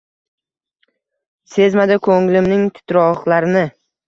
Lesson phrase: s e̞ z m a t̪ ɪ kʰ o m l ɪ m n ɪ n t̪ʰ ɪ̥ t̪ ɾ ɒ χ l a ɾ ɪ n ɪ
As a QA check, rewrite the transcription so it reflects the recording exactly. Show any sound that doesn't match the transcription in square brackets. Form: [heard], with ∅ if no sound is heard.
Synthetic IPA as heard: s e̞ z m a [d̪] ɪ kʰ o [ŋ] l ɪ m n ɪ [ŋ] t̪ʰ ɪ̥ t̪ ɾ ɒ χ l a ɾ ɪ n ɪ